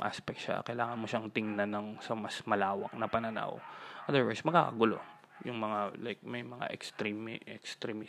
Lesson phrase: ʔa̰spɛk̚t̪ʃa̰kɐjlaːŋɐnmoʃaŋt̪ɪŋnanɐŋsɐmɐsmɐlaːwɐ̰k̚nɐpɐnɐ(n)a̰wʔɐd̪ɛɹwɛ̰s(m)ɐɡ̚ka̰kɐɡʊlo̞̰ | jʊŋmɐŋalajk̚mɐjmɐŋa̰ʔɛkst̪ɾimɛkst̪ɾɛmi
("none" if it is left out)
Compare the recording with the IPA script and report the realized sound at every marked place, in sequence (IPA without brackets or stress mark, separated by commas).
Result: n, m